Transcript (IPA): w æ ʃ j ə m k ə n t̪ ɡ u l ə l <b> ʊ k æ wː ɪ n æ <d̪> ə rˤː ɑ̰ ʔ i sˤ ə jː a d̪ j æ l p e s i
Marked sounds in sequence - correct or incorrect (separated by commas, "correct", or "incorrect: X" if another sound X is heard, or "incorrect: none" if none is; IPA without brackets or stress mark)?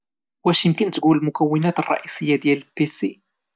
incorrect: m, incorrect: t̪